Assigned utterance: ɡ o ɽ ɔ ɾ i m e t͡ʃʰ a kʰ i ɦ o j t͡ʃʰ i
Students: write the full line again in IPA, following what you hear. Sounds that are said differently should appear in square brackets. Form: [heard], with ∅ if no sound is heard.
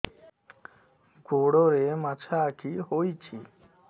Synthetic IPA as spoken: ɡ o ɽ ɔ ɾ [e] m [a] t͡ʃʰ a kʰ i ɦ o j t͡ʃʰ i